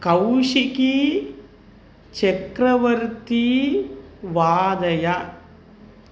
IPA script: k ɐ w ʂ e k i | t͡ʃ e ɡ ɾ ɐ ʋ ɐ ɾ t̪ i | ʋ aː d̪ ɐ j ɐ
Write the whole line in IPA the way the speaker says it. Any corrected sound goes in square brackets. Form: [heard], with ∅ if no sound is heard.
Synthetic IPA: k ɐ w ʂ [i] k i | t͡ʃ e [k] ɾ ɐ ʋ ɐ ɾ t̪ i | ʋ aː d̪ ɐ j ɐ